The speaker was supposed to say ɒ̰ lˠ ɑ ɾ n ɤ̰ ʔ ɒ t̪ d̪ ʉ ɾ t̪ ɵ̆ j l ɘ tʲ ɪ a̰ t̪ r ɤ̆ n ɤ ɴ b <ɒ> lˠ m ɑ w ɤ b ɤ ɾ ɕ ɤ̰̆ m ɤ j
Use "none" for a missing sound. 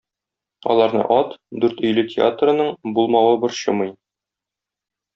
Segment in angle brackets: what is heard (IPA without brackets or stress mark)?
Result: u